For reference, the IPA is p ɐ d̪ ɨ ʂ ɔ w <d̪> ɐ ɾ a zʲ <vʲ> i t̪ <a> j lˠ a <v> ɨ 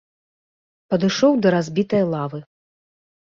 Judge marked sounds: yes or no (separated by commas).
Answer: yes, no, no, yes